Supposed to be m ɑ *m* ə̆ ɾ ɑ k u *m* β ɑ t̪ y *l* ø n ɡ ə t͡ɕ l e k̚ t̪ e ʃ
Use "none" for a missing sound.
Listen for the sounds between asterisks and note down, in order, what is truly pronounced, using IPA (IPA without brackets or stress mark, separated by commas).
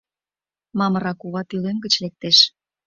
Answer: m, none, l